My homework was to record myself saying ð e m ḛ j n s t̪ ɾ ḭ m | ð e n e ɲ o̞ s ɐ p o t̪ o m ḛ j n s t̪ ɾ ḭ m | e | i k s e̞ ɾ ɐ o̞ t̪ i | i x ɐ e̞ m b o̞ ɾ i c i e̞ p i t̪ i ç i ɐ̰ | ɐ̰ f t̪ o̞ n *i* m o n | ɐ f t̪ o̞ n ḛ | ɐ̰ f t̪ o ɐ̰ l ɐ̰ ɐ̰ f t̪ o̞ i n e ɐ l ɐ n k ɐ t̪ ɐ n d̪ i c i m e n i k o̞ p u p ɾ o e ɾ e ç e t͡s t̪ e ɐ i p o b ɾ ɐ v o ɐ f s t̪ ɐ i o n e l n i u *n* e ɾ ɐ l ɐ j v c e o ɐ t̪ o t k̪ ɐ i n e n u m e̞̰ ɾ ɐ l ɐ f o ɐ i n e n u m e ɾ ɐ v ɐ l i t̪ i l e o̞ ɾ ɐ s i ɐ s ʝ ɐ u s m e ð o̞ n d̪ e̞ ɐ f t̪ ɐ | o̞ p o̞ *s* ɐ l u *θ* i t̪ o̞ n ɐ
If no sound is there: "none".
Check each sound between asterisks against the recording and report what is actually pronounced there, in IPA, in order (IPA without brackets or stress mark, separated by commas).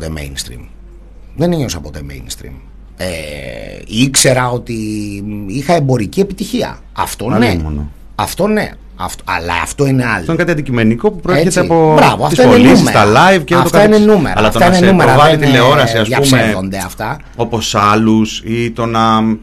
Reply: e, m, s, s